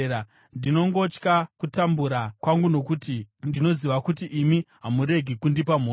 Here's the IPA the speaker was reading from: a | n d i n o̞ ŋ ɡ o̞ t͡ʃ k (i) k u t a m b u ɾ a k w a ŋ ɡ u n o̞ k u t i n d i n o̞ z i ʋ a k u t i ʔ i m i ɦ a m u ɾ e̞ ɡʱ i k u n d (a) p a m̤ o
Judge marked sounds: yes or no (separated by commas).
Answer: no, no